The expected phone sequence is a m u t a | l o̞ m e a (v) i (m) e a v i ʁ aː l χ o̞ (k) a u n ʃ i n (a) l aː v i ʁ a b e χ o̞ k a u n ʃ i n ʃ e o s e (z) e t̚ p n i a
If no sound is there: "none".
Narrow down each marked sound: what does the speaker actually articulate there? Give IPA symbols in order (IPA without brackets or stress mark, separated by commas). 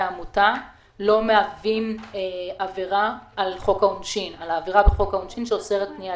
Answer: v, m, k, a, ʁ